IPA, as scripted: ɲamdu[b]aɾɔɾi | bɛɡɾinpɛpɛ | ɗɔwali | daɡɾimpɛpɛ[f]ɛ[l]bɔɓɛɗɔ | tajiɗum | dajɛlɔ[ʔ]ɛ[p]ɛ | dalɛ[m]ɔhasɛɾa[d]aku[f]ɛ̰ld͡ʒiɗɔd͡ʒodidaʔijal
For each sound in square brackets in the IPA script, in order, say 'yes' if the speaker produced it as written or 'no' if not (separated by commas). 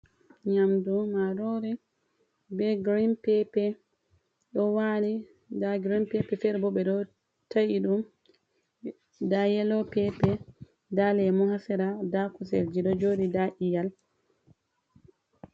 no, yes, no, no, yes, yes, yes, no